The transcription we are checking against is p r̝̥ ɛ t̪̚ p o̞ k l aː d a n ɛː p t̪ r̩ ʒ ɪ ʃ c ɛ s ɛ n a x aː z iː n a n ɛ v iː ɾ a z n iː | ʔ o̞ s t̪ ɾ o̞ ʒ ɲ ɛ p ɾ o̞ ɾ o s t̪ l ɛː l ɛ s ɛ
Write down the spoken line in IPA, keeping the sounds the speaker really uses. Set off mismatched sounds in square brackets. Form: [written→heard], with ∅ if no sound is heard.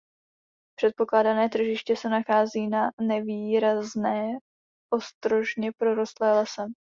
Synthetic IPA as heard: p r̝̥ ɛ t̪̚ p o̞ k l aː d a n ɛː [p→∅] t̪ r̩ ʒ ɪ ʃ c ɛ s ɛ n a x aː z iː n a n ɛ v iː ɾ a z n [iː→ɛː] | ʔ o̞ s t̪ ɾ o̞ ʒ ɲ ɛ p ɾ o̞ ɾ o s t̪ l ɛː l ɛ s ɛ